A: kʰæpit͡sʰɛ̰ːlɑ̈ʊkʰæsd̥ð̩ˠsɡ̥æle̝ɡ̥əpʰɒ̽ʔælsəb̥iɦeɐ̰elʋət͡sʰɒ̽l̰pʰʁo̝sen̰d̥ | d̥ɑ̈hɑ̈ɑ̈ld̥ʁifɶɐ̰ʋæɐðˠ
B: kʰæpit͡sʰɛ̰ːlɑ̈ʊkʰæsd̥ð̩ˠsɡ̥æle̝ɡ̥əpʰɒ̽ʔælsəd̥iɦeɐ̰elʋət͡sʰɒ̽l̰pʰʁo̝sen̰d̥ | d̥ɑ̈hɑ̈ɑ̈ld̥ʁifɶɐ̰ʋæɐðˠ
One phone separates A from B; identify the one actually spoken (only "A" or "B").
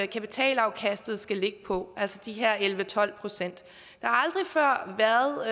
B